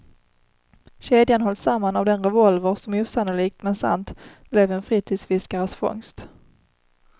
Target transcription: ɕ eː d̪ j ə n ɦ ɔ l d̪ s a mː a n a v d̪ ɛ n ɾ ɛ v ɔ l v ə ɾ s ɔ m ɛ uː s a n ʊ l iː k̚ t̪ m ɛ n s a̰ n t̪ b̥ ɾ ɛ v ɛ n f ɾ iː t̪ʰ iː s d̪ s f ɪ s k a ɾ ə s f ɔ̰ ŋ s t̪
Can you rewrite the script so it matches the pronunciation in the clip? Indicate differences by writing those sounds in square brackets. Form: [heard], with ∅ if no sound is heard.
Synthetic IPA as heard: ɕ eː d̪ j [a] n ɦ ɔ l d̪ s a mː a n a v d̪ ɛ n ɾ ɛ v ɔ l v ə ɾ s ɔ m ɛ uː s a n ʊ l iː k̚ t̪ m ɛ n s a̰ n t̪ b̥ [l] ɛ v ɛ n f ɾ iː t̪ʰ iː [∅] d̪ s f ɪ s k a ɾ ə s f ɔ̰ ŋ s t̪